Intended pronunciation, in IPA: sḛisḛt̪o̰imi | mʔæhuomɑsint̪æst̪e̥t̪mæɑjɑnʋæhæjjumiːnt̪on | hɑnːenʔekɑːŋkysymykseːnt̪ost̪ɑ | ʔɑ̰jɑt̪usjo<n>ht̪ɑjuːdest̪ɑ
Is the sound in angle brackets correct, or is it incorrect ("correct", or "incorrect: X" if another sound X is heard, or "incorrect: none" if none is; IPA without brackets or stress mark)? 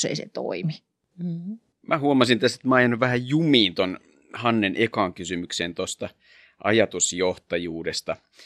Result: incorrect: none